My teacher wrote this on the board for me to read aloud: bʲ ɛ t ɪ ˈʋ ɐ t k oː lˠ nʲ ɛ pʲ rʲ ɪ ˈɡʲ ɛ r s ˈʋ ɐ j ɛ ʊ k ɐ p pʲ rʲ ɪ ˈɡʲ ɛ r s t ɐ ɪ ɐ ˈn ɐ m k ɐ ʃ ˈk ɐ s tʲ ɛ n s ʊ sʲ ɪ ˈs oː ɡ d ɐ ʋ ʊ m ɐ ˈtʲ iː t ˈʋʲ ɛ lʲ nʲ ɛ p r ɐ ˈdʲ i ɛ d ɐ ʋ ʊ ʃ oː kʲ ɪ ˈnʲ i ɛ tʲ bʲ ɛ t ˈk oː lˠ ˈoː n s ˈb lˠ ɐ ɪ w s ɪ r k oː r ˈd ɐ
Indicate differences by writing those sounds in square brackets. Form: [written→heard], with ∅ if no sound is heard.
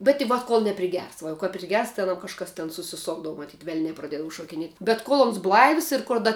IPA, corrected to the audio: bʲ ɛ t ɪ ˈʋ ɐ t k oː lˠ nʲ ɛ pʲ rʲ ɪ ˈɡʲ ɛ r s ˈʋ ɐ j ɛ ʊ k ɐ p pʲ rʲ ɪ ˈɡʲ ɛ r s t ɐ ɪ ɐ ˈn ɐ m k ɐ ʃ ˈk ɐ s tʲ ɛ n s ʊ sʲ ɪ ˈs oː ɡ d ɐ ʋ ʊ m ɐ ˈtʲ iː t ˈʋʲ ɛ lʲ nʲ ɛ p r ɐ ˈdʲ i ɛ d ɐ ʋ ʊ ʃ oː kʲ ɪ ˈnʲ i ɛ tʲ bʲ ɛ t ˈk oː lˠ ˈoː n s ˈb lˠ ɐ ɪ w s ɪ r k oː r ˈd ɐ